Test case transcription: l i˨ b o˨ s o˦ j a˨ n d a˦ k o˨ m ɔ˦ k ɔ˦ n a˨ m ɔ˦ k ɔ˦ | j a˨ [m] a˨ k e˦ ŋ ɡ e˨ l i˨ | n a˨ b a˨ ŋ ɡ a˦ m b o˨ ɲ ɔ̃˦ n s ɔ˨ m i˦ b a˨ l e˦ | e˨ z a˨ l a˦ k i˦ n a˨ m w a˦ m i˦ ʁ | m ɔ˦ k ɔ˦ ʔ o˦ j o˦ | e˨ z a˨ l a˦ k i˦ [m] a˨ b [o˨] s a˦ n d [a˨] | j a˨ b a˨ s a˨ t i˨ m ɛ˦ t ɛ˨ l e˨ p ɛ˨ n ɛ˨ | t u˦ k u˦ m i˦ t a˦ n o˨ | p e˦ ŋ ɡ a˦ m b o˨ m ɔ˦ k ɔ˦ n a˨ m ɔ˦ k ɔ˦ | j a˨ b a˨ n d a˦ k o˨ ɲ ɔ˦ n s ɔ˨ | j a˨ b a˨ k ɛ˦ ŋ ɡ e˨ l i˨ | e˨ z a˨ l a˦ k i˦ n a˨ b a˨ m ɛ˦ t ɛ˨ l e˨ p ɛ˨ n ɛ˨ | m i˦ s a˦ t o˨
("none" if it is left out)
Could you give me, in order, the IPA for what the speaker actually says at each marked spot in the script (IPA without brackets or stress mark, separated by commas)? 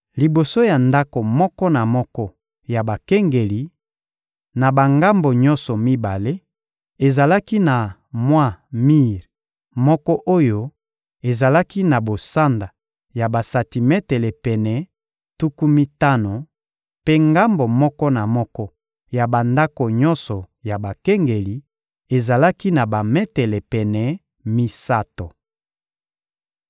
b, n, o˨, a˨